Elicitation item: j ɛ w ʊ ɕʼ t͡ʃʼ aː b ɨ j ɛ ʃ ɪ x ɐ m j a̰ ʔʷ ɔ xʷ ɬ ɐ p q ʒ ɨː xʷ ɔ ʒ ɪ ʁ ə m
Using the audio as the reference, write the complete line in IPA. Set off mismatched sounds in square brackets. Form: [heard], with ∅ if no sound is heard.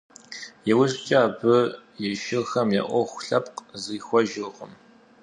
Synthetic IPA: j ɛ w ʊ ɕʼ t͡ʃʼ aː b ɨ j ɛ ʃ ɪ x ɐ m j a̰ ʔʷ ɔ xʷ ɬ ɐ p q [z] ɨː xʷ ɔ ʒ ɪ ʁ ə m